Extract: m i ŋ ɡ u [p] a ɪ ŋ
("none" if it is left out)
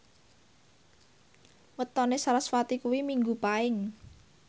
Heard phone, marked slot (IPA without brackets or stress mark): p